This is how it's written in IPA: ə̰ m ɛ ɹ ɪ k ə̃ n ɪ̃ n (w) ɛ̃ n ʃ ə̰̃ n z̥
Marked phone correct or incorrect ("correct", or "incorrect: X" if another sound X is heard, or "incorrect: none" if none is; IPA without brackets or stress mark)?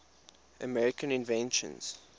incorrect: v